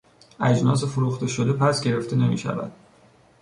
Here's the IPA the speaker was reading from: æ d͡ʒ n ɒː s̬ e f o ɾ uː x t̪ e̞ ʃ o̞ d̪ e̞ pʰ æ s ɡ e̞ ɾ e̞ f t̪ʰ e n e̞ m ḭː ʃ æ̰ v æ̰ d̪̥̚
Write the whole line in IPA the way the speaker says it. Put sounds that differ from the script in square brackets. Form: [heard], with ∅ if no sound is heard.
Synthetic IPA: æ d͡ʒ n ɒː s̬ e f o ɾ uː x t̪ e̞ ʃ o̞ d̪ e̞ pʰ æ s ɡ e̞ ɾ e̞ f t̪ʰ e n e̞ m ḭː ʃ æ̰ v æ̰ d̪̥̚